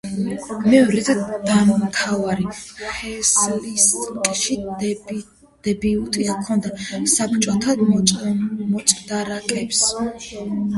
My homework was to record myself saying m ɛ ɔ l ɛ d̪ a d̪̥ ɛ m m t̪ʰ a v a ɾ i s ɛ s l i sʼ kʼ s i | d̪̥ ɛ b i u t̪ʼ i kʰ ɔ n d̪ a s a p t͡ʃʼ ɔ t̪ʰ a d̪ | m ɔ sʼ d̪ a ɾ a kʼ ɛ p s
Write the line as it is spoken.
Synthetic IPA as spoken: m ɛ ɔ ɾ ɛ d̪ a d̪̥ a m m t̪ʰ a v a ɾ i χ ɛ s l i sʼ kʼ ʃ i | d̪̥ ɛ b i u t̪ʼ i kʰ ɔ n d̪ a s a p t͡ʃʼ ɔ t̪ʰ a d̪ | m ɔ sʼ d̪ a ɾ a kʼ ɛ p s